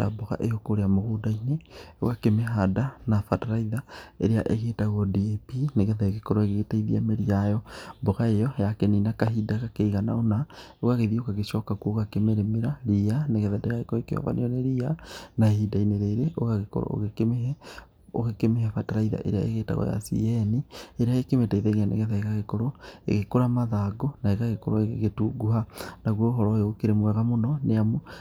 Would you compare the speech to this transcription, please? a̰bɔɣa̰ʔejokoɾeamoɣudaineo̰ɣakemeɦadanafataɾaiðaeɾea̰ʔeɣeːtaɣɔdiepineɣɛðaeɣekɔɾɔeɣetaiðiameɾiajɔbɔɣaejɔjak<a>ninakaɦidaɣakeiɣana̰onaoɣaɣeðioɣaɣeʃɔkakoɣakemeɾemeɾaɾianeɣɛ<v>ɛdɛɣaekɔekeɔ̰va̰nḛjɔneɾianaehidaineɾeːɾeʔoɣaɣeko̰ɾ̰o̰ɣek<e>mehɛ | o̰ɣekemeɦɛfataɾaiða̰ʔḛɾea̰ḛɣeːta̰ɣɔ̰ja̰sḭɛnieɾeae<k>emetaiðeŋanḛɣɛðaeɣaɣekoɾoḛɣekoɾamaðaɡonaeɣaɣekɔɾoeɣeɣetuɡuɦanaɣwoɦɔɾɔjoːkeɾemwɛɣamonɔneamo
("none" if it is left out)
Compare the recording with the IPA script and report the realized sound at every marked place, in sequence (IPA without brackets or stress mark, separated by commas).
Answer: e, ð, e, k